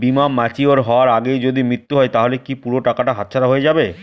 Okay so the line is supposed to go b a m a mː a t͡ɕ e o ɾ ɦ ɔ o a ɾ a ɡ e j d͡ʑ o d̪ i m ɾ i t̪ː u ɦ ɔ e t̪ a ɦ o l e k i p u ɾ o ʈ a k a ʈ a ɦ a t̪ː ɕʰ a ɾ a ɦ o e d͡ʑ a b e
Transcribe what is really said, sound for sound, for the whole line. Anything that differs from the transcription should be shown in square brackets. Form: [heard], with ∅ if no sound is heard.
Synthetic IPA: b [i] m a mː a t͡ɕ [i] o ɾ ɦ ɔ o a ɾ a ɡ e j d͡ʑ o d̪ i m ɾ i t̪ː u ɦ ɔ e t̪ a ɦ o l e k i p u ɾ o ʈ a k a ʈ a ɦ a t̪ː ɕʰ a ɾ a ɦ o e d͡ʑ a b e